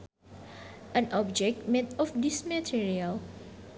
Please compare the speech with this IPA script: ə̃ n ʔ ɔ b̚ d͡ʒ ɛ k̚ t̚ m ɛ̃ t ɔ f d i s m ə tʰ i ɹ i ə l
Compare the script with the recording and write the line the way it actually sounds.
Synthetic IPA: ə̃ n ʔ ɔ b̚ d͡ʒ ɛ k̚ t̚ m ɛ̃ t ɔ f d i s m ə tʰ i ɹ i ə l